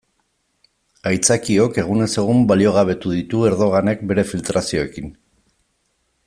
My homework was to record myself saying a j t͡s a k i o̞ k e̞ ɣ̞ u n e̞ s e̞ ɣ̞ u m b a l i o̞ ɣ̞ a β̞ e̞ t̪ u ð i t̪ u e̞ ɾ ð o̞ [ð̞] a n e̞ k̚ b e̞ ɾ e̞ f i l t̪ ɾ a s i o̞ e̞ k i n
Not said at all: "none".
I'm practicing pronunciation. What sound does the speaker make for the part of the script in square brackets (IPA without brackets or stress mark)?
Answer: ɣ̞